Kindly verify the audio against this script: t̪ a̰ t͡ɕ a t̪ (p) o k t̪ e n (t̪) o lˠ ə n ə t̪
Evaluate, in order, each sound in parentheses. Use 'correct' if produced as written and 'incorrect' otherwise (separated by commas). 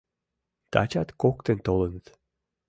incorrect, correct